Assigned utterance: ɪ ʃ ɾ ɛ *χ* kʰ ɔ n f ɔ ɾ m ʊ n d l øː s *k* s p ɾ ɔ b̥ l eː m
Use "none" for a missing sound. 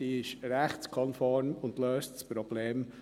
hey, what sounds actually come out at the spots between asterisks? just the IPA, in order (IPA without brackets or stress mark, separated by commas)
χ, t